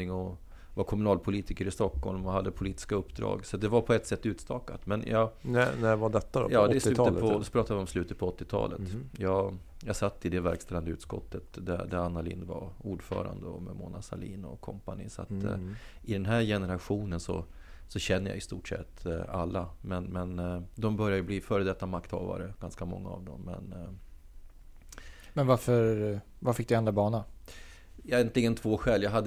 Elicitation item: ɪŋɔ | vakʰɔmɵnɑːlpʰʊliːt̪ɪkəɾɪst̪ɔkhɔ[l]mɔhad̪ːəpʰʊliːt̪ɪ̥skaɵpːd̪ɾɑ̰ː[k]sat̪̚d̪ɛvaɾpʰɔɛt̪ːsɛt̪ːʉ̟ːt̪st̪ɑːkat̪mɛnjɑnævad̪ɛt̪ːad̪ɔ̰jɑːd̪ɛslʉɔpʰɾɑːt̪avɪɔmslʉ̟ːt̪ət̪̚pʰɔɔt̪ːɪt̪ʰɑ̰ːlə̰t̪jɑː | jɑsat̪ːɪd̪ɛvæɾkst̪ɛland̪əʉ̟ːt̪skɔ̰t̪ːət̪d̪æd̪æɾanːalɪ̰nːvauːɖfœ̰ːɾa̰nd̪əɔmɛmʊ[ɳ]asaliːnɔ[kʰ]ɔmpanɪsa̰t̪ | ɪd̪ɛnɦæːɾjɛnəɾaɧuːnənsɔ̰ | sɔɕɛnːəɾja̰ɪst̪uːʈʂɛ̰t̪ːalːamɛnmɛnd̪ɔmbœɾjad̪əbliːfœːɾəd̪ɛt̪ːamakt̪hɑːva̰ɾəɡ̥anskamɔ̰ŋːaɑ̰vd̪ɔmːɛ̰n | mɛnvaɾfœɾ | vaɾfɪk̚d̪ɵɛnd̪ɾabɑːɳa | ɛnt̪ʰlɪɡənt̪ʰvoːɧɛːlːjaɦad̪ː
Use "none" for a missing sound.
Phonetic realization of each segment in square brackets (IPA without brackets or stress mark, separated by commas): l, ɡ, n, kʰ